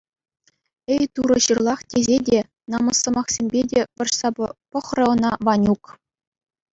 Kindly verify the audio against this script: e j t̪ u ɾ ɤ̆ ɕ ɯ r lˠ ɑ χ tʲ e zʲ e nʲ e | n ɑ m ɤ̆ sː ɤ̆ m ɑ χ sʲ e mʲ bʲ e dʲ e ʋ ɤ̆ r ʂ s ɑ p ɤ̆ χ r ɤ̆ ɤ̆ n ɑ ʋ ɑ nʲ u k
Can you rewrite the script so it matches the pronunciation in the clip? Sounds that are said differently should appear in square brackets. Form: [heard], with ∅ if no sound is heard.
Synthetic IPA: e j t̪ u ɾ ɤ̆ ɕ ɯ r lˠ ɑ χ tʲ e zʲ e [dʲ] e | n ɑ m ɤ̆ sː ɤ̆ m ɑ χ sʲ e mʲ bʲ e dʲ e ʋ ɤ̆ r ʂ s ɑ p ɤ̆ χ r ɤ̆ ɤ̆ n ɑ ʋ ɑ nʲ u k

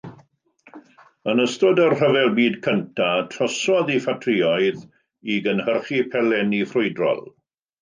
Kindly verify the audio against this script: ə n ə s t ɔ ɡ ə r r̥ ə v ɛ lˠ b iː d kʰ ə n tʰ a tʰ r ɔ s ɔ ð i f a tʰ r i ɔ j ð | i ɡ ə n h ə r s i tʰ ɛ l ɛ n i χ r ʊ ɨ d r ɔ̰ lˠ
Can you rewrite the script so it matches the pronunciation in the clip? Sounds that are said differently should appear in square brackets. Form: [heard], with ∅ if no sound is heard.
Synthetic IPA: ə n ə s t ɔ [d] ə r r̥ ə v ɛ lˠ b iː d kʰ ə n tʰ a tʰ r ɔ s ɔ ð i f a tʰ r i ɔ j ð | i ɡ ə n h ə r [χ] i [pʰ] ɛ l ɛ n i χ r ʊ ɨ d r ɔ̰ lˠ

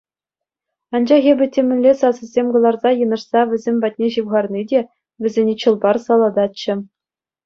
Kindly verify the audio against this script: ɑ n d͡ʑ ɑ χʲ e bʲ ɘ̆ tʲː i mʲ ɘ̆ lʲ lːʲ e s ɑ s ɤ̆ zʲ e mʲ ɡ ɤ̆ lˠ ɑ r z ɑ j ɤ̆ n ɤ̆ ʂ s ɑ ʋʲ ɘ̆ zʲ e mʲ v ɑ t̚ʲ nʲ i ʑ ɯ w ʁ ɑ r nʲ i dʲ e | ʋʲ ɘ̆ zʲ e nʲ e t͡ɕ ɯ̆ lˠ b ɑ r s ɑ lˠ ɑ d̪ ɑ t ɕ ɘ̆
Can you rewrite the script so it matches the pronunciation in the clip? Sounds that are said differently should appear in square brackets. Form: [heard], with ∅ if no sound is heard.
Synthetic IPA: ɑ n d͡ʑ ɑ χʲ e bʲ ɘ̆ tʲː [e] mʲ ɘ̆ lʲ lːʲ e s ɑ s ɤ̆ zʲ e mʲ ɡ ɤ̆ lˠ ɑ r z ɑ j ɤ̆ n ɤ̆ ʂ s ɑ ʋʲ ɘ̆ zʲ e mʲ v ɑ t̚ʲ nʲ [e] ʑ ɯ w ʁ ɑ r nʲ i dʲ e | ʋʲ ɘ̆ zʲ e nʲ e t͡ɕ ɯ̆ lˠ b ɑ r s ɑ lˠ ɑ d̪ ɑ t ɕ ɘ̆

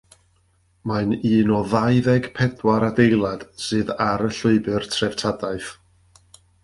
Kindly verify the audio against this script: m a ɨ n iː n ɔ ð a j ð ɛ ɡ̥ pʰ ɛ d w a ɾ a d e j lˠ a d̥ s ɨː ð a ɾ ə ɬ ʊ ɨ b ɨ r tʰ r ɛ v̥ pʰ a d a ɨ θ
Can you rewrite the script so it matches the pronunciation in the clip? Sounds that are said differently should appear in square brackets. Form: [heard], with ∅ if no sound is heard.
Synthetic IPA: m a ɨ n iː n ɔ ð a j ð ɛ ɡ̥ pʰ ɛ d w a ɾ a d e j lˠ a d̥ s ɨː ð a ɾ ə ɬ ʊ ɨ b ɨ r tʰ r ɛ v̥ [tʰ] a d a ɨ θ

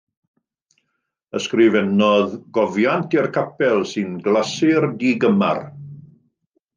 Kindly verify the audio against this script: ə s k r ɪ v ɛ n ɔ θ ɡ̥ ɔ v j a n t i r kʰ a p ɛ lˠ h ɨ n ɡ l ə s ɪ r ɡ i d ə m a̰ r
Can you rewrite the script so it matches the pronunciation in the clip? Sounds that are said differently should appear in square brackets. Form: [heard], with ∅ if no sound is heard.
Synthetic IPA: ə s k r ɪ v ɛ n ɔ [ð] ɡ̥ ɔ v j a n t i r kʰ a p ɛ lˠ [s] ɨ n ɡ l [a] s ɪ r [d] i [ɡ] ə m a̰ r

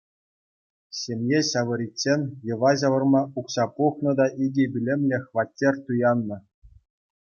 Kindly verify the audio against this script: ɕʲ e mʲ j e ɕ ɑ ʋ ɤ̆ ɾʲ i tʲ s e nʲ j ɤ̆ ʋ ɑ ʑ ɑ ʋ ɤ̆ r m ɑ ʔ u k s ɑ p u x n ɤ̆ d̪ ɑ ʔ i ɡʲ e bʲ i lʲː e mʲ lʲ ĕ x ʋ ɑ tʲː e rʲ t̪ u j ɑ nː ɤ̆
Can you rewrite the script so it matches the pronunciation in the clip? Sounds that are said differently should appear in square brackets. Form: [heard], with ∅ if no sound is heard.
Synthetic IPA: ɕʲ e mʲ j e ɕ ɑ ʋ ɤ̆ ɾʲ i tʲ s e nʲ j ɤ̆ ʋ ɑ ʑ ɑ ʋ ɤ̆ r m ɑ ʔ u k s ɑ p u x n ɤ̆ d̪ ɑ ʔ i ɡʲ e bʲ i [lʲ] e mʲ lʲ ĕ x ʋ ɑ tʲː e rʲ t̪ u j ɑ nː ɤ̆

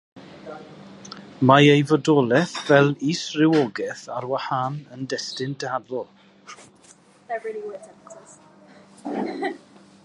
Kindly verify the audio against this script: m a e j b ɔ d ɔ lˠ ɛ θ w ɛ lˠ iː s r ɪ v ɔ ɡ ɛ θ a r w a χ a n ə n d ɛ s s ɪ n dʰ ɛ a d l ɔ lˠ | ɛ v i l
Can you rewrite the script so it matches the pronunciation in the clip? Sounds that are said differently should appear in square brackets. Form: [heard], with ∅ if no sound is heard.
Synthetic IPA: m a e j [v] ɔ d ɔ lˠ ɛ θ [v] ɛ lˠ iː s r ɪ [w] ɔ ɡ ɛ θ a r w a [h] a n ə n d ɛ s [t] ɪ n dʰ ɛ a d l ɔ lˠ | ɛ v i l

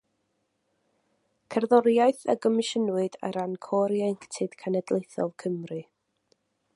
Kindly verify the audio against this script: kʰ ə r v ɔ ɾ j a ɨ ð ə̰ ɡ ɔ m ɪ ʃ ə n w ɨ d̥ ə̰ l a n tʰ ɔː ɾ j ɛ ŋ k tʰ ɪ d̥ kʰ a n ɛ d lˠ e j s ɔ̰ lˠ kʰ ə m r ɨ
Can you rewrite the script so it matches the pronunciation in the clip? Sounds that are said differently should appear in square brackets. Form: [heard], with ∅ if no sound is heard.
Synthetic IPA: kʰ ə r [ð] ɔ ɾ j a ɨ [θ] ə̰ ɡ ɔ m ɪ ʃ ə n w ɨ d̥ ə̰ [ɾ] a n [kʰ] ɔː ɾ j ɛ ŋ k tʰ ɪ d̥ kʰ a n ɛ d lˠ e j [θ] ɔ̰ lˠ kʰ ə m r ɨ

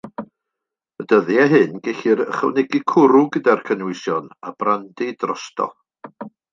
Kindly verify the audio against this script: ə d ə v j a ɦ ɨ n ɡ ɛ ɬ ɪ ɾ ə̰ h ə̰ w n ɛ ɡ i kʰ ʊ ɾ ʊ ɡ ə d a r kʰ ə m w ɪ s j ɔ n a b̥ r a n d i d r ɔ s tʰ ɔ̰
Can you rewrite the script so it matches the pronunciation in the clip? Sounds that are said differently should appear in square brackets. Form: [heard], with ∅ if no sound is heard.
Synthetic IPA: ə d ə [ð] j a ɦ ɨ n ɡ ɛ ɬ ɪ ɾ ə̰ [χ] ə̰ w n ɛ ɡ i kʰ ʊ ɾ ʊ ɡ ə d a r kʰ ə [n] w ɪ s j ɔ n a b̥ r a n d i d r ɔ s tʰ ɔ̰

